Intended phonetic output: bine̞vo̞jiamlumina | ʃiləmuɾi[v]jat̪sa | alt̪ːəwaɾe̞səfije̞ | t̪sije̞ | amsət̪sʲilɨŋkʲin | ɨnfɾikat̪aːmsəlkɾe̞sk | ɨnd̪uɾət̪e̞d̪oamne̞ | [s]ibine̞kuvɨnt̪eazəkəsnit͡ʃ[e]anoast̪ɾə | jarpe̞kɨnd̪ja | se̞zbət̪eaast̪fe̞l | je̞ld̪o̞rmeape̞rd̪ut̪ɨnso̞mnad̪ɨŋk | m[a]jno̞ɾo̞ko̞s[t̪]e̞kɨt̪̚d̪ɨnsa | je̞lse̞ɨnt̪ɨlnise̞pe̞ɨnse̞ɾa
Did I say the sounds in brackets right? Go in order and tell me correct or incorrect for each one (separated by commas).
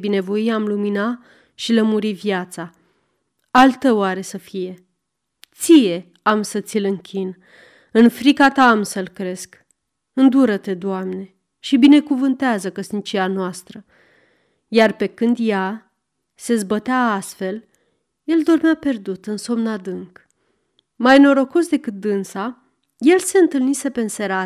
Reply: correct, incorrect, incorrect, correct, incorrect